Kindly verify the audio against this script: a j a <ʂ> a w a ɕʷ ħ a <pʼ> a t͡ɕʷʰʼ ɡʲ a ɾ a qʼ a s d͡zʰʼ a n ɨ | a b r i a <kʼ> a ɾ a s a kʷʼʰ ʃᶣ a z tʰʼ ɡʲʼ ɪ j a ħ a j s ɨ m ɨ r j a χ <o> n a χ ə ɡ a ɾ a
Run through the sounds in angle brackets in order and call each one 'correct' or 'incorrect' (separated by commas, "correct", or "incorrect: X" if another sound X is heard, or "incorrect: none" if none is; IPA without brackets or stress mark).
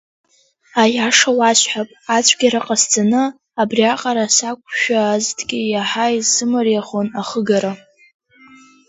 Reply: correct, correct, incorrect: qʼ, correct